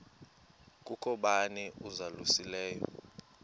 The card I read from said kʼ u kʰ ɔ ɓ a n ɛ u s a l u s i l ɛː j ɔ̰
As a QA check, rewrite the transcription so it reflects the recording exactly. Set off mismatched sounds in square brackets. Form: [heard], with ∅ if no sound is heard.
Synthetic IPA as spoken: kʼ u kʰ ɔ ɓ a n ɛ u [z] a l u s i l ɛː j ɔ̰